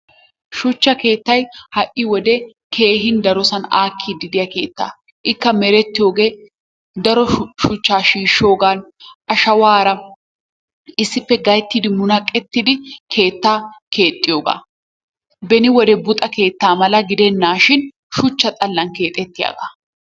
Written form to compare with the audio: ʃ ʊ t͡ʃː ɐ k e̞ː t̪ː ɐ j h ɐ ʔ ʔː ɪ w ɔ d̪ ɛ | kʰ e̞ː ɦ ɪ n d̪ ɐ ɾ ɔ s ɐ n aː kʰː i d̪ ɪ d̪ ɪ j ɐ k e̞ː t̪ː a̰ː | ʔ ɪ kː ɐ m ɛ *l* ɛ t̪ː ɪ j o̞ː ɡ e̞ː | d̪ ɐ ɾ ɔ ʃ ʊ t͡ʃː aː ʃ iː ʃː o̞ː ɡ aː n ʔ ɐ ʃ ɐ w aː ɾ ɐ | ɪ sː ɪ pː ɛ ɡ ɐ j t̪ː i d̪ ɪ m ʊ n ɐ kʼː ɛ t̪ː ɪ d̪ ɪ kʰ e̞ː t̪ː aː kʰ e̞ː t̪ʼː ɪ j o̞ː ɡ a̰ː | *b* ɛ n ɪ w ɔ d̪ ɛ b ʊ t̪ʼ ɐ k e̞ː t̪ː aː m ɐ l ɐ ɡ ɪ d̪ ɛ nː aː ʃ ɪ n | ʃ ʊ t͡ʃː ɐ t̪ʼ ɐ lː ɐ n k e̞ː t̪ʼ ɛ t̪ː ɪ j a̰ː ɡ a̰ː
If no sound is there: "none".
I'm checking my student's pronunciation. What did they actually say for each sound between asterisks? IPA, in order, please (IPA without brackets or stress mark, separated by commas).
ɾ, b